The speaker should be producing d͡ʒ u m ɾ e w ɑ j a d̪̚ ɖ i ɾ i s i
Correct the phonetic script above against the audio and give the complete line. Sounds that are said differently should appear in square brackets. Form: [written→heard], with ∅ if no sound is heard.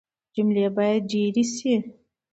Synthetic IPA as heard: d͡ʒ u m [ɾ→l] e [w→b] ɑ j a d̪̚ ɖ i ɾ i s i